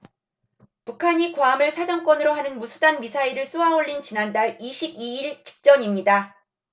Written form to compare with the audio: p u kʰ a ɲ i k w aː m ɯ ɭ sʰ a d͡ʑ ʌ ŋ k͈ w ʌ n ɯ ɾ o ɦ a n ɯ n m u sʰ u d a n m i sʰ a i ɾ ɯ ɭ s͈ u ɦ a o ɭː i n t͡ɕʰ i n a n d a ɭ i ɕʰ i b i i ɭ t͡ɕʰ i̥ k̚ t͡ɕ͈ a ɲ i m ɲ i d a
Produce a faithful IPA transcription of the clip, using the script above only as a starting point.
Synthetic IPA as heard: p u kʰ a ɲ i k w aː m ɯ ɭ sʰ a d͡ʑ ʌ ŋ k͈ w ʌ n ɯ ɾ o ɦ a n ɯ n m u sʰ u d a n m i sʰ a i ɾ ɯ ɭ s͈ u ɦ a o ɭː i n t͡ɕ i n a n d a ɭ i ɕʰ i b i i ɭ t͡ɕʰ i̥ k̚ t͡ɕ͈ ʌ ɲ i m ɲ i d a

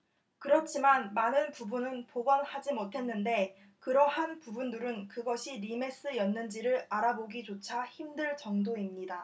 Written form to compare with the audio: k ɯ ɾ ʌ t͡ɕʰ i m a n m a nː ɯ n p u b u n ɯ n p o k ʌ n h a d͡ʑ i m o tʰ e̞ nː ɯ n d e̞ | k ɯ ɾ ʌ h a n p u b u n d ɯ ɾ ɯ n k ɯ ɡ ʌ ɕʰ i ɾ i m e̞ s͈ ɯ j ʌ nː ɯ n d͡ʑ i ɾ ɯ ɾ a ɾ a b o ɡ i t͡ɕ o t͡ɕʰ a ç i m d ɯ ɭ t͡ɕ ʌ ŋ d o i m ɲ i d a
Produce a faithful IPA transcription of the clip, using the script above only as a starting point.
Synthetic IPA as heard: k ɯ ɾ ʌ t͡ɕʰ i m a n m a n ɯ n p u b u n ɯ n p o ɡ ʌ n h a d͡ʑ i m o tʰ e̞ nː ɯ n d e̞ | k ɯ ɾ ʌ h a n p u b u n d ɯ ɾ ɯ n k ɯ ɡ ʌ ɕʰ i ɾ i m e̞ s͈ ɯ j ʌ nː ɯ n d͡ʑ i ɾ ɯ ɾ a ɾ a b o ɡ i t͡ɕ o t͡ɕʰ a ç i m d ɯ ɭ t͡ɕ ʌ ŋ d o i m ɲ i d a

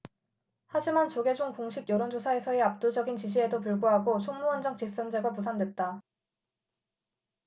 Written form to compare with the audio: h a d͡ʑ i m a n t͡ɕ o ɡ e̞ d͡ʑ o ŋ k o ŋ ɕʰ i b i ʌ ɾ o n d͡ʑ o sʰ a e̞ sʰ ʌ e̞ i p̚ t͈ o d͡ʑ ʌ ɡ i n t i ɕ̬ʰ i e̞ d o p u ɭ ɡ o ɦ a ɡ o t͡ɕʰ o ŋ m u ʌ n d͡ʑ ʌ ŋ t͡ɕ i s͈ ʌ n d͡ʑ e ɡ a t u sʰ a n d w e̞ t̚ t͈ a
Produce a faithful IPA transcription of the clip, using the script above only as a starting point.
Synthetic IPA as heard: h a d͡ʑ i m a n t͡ɕ o ɡ e̞ d͡ʑ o ŋ k o ŋ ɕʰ i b j ʌ ɾ o n d͡ʑ o sʰ a e̞ sʰ ʌ e̞ a p̚ t͈ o d͡ʑ ʌ ɡ i n t͡ɕ i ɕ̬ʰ i e̞ d o p u ɭ ɡ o ɦ a ɡ o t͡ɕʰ o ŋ m u ʌ n d͡ʑ ʌ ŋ t͡ɕ i s͈ ʌ n d͡ʑ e ɡ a p u sʰ a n d w e̞ t̚ t͈ a

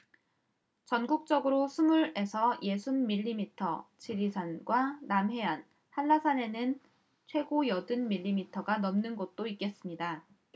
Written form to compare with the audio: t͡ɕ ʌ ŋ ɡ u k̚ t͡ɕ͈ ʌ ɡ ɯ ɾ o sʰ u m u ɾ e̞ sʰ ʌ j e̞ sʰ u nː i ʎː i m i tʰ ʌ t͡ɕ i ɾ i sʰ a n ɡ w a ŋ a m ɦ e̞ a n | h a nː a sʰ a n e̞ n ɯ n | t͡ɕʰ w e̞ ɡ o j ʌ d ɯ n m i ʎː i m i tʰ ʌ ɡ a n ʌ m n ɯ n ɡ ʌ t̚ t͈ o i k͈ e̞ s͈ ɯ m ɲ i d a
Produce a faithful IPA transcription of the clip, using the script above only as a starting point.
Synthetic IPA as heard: t͡ɕ ʌ n ɡ u k̚ t͡ɕ͈ ʌ ɡ ɯ ɾ o sʰ u m u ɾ e̞ sʰ ʌ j e̞ sʰ u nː i ʎː i m i tʰ ʌ t͡ɕ i ɾ i sʰ a n ɡ w a n a m ɦ e̞ a n | h a nː a sʰ a n e̞ n ɯ n | t͡ɕʰ w e̞ ɡ o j ʌ d ɯ n m i ʎː i m i tʰ ʌ ɡ a n ʌ m n ɯ n ɡ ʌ t̚ t͈ o i k͈ e̞ s͈ ɯ m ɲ i d a

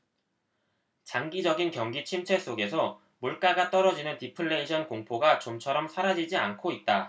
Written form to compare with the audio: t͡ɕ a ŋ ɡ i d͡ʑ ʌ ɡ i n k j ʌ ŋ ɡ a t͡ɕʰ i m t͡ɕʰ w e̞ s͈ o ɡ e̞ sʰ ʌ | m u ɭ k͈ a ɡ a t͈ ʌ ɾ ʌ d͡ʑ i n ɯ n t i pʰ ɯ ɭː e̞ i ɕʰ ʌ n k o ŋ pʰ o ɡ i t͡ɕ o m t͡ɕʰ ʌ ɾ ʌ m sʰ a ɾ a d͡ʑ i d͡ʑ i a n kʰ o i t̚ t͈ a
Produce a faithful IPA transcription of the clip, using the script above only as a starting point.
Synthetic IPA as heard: t͡ɕ a ŋ ɡ i d͡ʑ ʌ ɡ i n k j ʌ ŋ ɡ i t͡ɕʰ i m t͡ɕʰ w e̞ s͈ o ɡ e̞ sʰ ʌ | m u ɭ k͈ a ɡ a t͈ ʌ ɾ ʌ d͡ʑ i n ɯ n t i pʰ ɯ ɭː e̞ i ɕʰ ʌ n k o ŋ pʰ o ɡ a t͡ɕ o m t͡ɕʰ ʌ ɾ ʌ m sʰ a ɾ a d͡ʑ i d͡ʑ i a n kʰ o i t̚ t͈ a

